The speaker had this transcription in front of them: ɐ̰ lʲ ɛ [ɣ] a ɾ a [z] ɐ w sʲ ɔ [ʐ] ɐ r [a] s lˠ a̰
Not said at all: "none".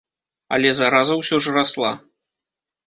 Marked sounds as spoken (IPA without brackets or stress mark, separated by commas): z, z, ʐ, a